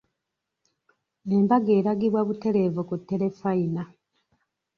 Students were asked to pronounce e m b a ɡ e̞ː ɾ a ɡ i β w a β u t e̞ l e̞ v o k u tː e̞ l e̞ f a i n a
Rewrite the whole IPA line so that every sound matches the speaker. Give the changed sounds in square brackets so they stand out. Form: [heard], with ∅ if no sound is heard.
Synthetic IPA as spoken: e m b a ɡ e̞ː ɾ a ɡ i β w a β u t e̞ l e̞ v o k u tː e̞ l e̞ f a i n a